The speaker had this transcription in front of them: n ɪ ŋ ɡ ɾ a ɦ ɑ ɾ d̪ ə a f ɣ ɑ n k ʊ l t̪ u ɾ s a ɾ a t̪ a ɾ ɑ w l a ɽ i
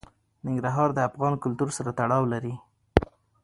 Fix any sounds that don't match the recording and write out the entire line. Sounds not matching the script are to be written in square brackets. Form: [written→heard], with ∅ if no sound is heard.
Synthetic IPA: n ɪ ŋ ɡ ɾ a ɦ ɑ ɾ d̪ ə a f ɣ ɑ n k ʊ l t̪ u ɾ s a ɾ a t̪ a [ɾ→ɽ] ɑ w l a [ɽ→ɾ] i